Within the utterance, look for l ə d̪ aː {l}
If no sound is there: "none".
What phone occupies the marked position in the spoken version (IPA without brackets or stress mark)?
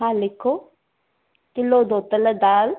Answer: l